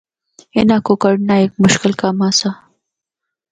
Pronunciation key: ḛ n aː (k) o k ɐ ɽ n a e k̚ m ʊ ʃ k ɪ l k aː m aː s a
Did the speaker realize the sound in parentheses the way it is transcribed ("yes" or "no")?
yes